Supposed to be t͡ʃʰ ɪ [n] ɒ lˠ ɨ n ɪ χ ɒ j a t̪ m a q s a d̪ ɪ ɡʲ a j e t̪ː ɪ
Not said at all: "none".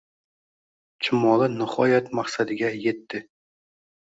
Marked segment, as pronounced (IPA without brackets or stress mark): m